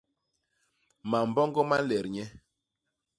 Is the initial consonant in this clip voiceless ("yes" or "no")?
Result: no